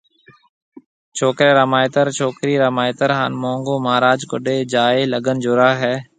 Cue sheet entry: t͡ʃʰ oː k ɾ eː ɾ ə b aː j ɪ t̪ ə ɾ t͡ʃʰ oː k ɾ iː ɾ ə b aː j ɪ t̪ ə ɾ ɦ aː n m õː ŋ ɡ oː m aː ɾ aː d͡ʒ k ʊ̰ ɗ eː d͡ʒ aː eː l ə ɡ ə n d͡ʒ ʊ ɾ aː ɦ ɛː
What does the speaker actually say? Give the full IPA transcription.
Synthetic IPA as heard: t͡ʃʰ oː k ɾ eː ɾ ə m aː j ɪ t̪ ə ɾ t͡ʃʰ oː k ɾ iː ɾ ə m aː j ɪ t̪ ə ɾ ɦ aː n m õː ŋ ɡ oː m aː ɾ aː d͡ʒ k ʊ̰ ɗ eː d͡ʒ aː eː l ə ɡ ə n d͡ʒ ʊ ɾ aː ɦ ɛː